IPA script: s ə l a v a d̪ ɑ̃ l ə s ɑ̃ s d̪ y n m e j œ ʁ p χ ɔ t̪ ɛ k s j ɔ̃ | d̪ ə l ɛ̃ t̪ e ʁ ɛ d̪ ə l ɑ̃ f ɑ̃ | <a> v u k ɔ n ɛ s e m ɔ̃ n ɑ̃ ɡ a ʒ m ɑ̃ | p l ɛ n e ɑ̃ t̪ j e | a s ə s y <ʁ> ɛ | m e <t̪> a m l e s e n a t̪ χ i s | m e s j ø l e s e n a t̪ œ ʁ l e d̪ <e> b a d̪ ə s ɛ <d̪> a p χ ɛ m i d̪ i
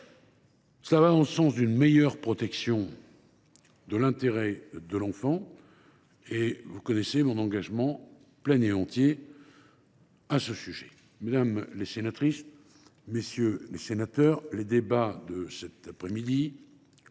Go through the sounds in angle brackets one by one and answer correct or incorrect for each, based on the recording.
incorrect: e, incorrect: ʒ, incorrect: d̪, correct, incorrect: t̪

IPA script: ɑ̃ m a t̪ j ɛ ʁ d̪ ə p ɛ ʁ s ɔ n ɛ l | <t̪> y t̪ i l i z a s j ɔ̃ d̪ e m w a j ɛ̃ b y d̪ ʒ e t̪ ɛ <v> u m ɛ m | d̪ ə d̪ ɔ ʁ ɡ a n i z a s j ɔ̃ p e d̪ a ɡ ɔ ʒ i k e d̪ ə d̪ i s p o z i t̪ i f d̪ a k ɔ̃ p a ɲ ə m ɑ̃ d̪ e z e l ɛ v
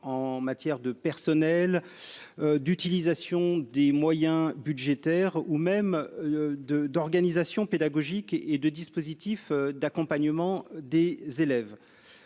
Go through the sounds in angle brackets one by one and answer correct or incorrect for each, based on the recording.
incorrect: d̪, incorrect: ʁ

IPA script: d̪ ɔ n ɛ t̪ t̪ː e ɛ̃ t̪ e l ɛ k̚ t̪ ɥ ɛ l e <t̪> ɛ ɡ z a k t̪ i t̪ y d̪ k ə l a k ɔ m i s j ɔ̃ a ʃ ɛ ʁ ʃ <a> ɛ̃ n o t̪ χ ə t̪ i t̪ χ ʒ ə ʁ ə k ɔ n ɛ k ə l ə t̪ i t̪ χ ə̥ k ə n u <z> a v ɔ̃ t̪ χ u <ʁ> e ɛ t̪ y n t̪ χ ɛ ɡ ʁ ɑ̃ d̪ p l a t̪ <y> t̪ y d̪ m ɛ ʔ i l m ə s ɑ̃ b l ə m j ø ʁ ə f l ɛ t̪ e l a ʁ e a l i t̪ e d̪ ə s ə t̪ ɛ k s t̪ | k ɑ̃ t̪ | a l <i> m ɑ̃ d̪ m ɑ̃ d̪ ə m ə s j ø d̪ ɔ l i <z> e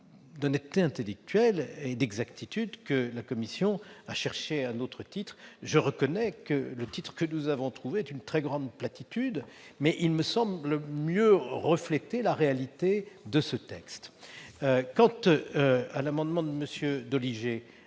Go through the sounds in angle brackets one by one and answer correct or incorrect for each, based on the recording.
incorrect: d̪, incorrect: e, correct, incorrect: v, incorrect: i, incorrect: a, incorrect: ʒ

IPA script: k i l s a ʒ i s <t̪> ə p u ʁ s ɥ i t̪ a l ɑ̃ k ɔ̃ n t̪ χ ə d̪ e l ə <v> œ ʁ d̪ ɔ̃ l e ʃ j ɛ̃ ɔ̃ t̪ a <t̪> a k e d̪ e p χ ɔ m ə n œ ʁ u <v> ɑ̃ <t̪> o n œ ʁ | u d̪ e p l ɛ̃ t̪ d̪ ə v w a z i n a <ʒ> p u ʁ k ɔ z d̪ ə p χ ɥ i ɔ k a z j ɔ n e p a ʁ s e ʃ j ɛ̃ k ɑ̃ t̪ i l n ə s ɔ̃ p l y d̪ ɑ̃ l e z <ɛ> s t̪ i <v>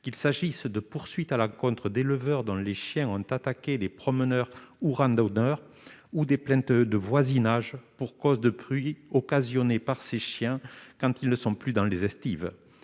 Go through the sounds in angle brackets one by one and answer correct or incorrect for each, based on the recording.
incorrect: d̪, correct, correct, incorrect: ʁ, incorrect: d̪, correct, correct, correct

